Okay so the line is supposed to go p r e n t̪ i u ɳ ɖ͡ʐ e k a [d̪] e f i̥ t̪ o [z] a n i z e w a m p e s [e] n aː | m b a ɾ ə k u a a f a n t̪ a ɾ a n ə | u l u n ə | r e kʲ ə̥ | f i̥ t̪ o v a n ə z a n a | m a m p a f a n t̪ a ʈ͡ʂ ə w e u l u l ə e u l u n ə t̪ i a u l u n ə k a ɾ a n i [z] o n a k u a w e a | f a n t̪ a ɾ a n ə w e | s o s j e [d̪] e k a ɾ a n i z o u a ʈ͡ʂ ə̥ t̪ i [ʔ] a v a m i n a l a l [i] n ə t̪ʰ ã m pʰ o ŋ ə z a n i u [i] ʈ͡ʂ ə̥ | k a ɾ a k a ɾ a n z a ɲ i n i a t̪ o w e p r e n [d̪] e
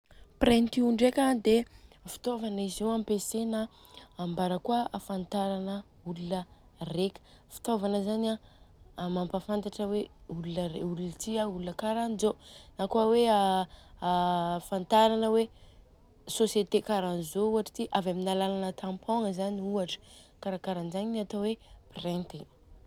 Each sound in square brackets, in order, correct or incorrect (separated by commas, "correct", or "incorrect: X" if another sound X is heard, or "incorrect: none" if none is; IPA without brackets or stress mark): correct, incorrect: v, correct, correct, incorrect: t̪, correct, incorrect: a, incorrect: a, incorrect: t̪